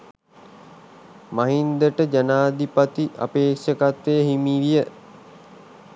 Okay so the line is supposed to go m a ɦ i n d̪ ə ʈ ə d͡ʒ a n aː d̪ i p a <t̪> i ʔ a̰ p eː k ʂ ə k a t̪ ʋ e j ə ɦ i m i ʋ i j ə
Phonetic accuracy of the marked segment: correct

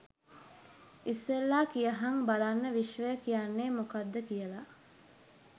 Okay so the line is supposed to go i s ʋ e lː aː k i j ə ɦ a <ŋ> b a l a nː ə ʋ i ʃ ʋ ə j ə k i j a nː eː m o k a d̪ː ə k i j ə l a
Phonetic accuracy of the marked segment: correct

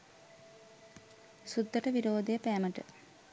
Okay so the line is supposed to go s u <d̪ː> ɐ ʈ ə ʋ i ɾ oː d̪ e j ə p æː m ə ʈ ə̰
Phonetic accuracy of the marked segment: correct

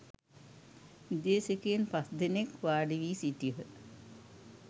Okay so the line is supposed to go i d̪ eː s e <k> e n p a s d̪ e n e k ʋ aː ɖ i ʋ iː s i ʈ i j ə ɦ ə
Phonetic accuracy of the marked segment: correct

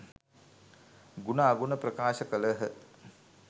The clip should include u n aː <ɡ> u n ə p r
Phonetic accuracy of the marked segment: correct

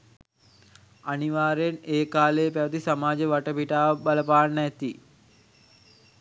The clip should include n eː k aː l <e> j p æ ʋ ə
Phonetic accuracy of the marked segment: correct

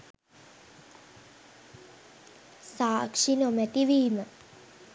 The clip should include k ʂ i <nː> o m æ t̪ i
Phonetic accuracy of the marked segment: incorrect: n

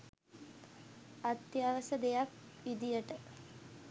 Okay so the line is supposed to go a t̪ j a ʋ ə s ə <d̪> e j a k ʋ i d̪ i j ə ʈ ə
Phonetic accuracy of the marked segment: correct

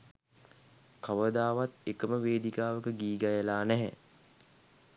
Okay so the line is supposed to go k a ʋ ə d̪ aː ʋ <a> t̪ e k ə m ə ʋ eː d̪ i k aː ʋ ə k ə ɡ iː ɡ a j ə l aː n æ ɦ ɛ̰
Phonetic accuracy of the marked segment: correct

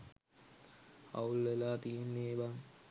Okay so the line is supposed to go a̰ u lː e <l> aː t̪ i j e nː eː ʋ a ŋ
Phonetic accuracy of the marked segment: correct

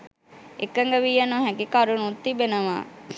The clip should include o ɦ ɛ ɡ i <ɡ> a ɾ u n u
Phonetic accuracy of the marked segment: incorrect: k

